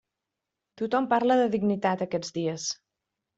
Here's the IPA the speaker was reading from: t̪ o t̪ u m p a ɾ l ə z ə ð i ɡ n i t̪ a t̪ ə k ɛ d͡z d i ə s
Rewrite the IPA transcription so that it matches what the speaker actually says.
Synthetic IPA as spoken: t̪ u t̪ ɔ m p a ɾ l ə ð ə ð i ɡ n i t̪ a t̪ ə k ɛ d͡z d i ə s